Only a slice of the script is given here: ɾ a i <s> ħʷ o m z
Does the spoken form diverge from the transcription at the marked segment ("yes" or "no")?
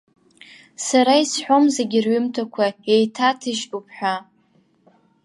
no